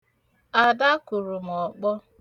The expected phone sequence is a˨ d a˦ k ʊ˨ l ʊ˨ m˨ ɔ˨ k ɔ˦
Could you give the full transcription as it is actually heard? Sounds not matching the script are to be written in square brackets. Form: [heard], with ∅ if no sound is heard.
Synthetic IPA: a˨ d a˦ k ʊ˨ [ɾ] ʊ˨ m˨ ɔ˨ [k͡p] ɔ˦